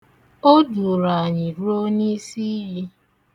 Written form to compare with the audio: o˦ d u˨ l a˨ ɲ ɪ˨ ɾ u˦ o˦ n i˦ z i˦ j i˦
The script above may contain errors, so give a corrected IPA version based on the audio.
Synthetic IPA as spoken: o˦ d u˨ ɾ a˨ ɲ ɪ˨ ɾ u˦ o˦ n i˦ s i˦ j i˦